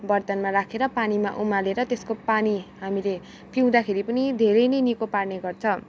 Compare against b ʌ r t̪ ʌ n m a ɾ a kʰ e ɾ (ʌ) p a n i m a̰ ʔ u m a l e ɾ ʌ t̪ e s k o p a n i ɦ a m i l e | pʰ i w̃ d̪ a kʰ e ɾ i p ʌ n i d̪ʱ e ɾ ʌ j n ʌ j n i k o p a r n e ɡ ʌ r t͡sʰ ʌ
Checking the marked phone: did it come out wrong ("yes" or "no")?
no